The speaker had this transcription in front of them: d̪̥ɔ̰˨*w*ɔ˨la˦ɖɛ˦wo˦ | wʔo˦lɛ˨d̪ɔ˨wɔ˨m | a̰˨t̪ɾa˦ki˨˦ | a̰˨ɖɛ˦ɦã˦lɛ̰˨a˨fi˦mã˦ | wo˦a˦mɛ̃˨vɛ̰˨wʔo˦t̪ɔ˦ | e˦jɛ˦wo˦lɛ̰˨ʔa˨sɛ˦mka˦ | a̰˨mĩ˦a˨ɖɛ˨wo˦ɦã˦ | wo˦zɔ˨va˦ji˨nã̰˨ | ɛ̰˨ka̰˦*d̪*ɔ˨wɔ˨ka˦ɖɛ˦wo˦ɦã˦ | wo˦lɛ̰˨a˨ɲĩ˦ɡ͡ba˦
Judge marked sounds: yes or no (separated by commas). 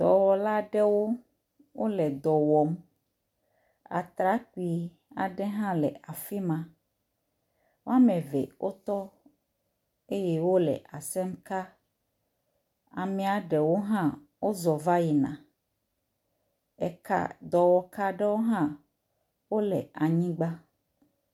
yes, yes